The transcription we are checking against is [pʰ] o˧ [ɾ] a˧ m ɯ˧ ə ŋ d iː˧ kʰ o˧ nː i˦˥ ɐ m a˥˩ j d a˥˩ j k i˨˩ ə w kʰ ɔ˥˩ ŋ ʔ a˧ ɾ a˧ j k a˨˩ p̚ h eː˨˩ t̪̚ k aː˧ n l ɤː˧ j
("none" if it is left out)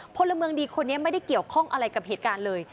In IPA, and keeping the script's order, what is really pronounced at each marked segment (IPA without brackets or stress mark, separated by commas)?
pʰ, l